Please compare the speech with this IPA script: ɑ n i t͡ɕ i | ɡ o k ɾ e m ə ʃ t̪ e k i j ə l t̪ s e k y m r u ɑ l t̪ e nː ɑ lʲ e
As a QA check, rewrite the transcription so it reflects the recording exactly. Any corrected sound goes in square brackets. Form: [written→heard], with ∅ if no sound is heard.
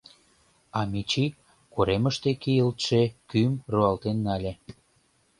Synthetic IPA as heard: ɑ [n→m] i t͡ɕ i | [ɡ→k] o [k→∅] ɾ e m ə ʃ t̪ e k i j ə l t̪ [s→ʃ] e k y m r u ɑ l t̪ e nː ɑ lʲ e